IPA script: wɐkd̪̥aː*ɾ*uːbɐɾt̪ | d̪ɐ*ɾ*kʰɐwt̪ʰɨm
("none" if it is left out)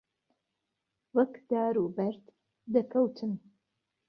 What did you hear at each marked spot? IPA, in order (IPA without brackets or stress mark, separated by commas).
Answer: ɾ, none